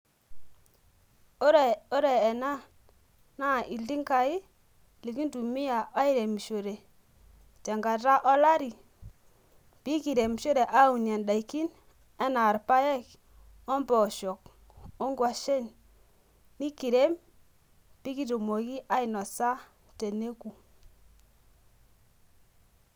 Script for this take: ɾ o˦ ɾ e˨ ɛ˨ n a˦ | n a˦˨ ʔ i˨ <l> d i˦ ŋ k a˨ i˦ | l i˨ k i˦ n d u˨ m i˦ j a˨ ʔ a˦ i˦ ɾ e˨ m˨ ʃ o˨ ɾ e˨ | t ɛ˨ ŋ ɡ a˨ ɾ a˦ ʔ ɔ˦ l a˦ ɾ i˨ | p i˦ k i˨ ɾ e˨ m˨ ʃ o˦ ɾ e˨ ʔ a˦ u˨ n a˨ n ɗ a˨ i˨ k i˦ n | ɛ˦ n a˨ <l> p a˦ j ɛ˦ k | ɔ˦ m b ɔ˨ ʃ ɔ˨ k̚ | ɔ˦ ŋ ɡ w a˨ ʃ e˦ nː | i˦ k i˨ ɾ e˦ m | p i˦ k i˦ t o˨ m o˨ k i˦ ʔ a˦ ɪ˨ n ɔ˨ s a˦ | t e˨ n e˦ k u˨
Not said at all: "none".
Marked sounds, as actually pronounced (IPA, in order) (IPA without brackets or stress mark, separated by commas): l, ɾ